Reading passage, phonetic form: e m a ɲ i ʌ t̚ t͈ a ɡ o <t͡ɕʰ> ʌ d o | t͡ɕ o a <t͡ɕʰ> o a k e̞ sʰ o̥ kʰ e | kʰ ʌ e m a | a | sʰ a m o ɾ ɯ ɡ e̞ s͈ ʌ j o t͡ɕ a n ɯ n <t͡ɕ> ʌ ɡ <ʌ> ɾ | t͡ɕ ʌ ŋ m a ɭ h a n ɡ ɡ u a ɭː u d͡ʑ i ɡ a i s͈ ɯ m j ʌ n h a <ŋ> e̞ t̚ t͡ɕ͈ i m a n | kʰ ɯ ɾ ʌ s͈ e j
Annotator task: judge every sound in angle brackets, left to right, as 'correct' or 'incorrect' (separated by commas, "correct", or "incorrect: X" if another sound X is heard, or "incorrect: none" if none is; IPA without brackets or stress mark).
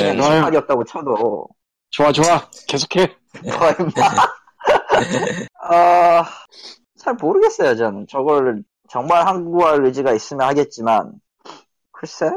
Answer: correct, incorrect: t͡ɕ, correct, correct, incorrect: ɡ